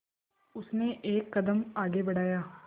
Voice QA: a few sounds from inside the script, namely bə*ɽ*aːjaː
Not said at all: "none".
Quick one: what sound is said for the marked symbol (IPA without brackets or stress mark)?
ɽ